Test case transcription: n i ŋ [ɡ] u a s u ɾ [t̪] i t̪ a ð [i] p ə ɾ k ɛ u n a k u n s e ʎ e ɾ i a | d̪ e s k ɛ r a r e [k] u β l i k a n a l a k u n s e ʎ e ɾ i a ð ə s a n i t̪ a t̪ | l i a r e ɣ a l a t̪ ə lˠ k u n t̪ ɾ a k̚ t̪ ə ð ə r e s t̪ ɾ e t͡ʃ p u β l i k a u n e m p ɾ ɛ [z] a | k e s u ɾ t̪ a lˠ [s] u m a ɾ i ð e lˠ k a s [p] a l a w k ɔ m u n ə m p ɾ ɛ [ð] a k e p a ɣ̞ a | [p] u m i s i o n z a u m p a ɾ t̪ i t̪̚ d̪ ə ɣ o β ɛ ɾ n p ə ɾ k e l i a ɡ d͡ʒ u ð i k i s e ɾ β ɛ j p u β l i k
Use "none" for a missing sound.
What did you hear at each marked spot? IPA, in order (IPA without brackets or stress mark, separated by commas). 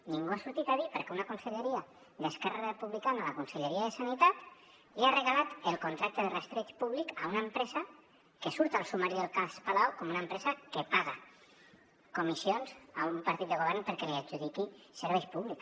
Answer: ɡ, t̪, i, p, z, s, p, z, k